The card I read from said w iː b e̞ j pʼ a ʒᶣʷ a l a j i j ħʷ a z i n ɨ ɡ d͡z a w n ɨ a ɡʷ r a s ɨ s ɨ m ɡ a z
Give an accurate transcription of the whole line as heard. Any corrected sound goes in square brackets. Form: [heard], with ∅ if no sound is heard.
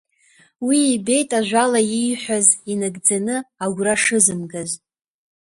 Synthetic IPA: w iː b e̞ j [tʼ] a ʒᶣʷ a l a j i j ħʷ a z i n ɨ ɡ d͡z a [∅] n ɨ a ɡʷ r a [ʂ] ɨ [z] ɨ m ɡ a z